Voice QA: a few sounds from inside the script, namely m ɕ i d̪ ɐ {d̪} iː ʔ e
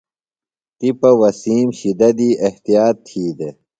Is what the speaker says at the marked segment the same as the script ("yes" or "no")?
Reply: yes